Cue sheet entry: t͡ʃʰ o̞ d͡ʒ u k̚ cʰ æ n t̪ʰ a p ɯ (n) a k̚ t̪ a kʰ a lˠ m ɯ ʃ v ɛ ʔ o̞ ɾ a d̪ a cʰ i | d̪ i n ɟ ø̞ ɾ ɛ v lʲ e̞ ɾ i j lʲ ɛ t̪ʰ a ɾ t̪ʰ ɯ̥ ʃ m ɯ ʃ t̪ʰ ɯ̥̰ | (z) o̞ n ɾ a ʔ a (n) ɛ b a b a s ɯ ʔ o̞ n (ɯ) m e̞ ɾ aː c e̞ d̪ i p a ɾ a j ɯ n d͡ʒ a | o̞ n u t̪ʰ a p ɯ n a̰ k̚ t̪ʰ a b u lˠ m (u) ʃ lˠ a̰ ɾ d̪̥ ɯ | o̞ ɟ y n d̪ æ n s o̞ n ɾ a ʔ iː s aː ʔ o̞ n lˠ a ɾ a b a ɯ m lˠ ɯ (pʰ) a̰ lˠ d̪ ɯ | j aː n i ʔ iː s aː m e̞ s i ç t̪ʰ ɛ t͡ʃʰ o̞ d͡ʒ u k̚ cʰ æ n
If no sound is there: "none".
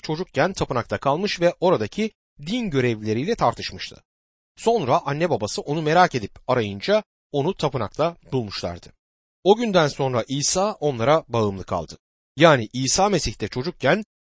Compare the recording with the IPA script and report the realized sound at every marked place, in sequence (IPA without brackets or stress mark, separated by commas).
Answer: n, s, nː, u, u, kʰ